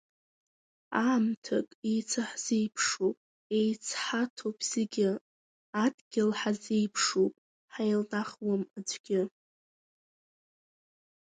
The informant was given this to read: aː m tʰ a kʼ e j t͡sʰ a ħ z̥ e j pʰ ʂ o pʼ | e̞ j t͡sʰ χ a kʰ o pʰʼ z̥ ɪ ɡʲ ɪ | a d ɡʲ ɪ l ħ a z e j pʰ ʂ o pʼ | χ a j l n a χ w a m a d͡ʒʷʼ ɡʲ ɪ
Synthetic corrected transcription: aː m tʰ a kʼ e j t͡sʰ a ħ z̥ e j pʰ ʂ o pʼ | e̞ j t͡sʰ ħ a tʰ o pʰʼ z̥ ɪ ɡʲ ɪ | a d ɡʲ ɪ l ħ a z e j pʰ ʂ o pʼ | ħ a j l n a χ w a m a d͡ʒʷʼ ɡʲ ɪ